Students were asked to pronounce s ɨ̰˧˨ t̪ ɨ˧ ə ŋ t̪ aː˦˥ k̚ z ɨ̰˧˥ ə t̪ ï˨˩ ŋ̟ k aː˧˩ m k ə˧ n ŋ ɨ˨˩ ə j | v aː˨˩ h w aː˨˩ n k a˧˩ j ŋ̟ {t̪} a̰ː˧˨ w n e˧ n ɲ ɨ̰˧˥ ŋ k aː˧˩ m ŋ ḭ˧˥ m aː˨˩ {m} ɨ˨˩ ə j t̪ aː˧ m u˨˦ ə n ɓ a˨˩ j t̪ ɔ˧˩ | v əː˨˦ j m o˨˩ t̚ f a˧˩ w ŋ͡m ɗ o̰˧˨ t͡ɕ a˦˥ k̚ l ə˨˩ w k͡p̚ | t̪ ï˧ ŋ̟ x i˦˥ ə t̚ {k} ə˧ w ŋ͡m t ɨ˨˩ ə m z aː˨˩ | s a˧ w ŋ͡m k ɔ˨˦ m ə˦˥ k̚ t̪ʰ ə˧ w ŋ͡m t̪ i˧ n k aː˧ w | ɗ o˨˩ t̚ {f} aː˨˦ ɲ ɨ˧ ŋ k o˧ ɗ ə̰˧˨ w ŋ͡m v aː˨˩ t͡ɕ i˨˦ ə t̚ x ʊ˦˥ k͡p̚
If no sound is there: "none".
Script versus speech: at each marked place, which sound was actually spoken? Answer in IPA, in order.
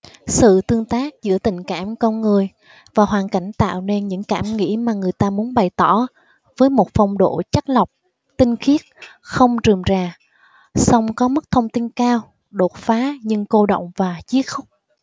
t̪, ŋ, x, f

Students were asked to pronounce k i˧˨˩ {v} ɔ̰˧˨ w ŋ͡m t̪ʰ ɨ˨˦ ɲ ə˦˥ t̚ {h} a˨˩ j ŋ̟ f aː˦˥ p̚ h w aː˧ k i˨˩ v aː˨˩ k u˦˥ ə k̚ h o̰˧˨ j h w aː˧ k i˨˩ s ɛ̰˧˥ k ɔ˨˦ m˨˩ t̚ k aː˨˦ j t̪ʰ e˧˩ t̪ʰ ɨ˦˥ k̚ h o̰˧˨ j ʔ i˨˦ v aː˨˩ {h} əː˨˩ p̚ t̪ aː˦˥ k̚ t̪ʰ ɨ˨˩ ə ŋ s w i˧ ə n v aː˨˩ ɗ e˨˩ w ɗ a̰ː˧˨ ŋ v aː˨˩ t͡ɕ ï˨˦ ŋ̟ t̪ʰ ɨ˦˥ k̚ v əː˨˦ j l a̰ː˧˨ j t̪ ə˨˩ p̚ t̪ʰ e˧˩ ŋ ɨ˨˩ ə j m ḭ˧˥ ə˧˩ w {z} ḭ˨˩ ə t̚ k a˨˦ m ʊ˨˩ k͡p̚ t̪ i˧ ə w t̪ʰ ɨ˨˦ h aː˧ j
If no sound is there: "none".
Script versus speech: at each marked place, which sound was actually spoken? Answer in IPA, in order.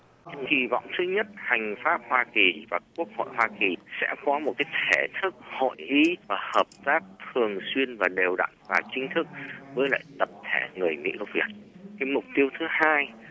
v, h, h, v

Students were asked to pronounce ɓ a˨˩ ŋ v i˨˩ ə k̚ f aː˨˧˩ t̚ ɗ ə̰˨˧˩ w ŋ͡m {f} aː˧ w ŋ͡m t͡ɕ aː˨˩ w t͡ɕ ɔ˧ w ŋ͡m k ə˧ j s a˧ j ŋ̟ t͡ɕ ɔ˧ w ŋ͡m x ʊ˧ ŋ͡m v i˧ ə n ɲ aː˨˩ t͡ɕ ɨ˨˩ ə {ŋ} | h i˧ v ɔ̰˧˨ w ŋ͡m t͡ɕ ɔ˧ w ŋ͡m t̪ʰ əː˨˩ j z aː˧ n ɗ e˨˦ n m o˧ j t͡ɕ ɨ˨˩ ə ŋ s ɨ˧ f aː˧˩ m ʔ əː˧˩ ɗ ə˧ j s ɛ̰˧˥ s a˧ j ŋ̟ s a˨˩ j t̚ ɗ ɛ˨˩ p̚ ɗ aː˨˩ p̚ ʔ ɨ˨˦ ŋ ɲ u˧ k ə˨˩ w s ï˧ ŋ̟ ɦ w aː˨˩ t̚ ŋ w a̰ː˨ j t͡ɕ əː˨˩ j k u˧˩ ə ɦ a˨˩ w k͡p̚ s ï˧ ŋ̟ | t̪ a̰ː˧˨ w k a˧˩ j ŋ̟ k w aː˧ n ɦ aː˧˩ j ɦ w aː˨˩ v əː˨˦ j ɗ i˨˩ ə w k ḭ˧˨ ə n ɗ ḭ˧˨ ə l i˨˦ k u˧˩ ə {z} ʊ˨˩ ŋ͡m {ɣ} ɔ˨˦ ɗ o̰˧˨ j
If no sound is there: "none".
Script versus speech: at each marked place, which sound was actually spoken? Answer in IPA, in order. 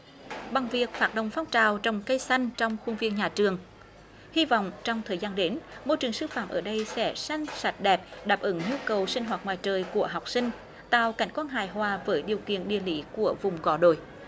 f, ŋ, v, ɣ

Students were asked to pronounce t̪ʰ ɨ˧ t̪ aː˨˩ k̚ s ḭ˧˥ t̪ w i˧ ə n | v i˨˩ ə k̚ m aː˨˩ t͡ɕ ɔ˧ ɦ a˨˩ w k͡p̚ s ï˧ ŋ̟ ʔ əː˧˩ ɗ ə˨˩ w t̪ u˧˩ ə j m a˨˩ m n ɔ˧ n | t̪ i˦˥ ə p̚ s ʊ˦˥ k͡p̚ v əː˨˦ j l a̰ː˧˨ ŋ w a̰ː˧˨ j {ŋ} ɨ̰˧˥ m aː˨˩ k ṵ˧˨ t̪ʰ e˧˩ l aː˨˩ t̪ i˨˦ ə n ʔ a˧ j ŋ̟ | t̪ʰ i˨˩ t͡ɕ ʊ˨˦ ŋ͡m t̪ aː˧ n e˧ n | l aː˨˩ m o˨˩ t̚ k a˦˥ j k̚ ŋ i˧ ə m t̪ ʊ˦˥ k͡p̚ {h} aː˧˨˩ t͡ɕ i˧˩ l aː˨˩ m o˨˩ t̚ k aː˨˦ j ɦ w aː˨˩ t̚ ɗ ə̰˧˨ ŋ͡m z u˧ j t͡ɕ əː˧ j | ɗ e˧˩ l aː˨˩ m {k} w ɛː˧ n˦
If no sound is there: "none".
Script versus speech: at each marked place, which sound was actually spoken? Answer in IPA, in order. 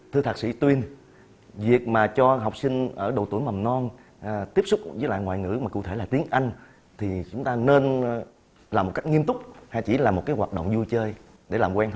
ŋ, h, k

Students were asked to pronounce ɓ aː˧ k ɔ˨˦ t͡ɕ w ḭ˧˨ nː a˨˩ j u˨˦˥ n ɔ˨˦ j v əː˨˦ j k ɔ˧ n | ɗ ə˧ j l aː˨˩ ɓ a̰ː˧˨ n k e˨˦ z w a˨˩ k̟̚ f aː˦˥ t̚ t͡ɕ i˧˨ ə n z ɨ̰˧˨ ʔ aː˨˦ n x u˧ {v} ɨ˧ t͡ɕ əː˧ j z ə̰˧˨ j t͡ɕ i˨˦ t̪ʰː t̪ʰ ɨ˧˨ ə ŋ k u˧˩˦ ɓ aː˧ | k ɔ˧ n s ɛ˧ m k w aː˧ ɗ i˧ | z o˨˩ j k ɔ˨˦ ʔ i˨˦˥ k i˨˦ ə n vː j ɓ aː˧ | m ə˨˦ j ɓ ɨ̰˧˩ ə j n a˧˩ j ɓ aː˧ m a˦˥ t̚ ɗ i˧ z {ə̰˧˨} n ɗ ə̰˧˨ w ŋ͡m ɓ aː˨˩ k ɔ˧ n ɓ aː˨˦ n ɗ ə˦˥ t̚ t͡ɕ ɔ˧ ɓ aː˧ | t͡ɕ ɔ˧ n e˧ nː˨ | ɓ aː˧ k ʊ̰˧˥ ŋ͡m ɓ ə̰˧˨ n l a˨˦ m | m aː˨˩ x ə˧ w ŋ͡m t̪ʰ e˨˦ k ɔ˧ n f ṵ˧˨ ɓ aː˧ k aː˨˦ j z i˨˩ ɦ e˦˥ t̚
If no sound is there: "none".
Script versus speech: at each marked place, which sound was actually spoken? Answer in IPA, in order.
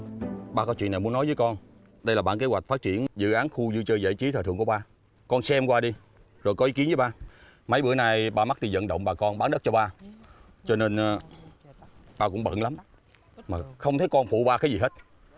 z, ə̰˧˨

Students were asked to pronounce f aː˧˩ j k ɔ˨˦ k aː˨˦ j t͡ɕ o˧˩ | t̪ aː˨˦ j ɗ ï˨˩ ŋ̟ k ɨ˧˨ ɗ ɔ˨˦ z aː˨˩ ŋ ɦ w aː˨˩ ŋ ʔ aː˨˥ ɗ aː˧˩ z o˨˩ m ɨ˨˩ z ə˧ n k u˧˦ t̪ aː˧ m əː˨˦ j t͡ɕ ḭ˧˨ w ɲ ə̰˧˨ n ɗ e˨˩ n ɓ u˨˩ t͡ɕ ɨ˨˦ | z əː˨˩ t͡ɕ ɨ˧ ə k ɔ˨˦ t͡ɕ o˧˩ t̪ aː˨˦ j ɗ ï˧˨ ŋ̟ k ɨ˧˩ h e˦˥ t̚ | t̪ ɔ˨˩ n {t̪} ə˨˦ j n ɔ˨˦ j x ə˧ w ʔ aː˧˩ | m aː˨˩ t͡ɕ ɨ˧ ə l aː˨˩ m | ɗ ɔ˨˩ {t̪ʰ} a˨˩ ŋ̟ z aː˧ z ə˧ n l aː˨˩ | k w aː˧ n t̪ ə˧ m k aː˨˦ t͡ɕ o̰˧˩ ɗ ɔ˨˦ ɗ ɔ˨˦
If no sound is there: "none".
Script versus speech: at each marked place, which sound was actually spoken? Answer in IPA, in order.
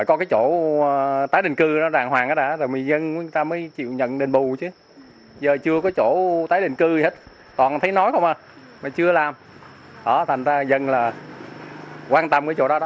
t̪ʰ, t̪ʰ

